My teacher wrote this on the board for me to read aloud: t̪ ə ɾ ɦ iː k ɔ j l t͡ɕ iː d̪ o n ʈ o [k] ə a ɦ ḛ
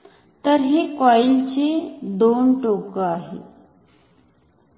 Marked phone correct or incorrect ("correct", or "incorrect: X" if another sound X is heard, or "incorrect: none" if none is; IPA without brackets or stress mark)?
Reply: correct